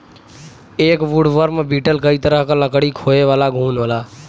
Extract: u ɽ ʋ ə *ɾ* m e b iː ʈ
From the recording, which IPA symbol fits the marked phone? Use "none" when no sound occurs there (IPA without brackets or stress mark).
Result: ɾ